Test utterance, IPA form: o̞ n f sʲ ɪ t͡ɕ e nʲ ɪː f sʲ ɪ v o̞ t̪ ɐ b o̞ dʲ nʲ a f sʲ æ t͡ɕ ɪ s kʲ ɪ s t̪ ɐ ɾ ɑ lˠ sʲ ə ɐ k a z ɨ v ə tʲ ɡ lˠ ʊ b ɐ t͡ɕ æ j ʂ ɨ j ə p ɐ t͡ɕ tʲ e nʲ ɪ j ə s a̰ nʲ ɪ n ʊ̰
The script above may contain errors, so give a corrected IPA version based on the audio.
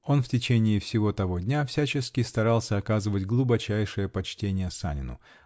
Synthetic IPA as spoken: o̞ n f tʲ ɪ t͡ɕ e nʲ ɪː f sʲ ɪ v o̞ t̪ ɐ v o̞ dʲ nʲ a f sʲ æ t͡ɕ ɪ s kʲ ɪ s t̪ ɐ ɾ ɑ lˠ sʲ ə ɐ k a z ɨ v ə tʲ ɡ lˠ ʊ b ɐ t͡ɕ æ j ʂ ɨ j ə p ɐ t͡ɕ tʲ e nʲ ɪ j ə s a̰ nʲ ɪ n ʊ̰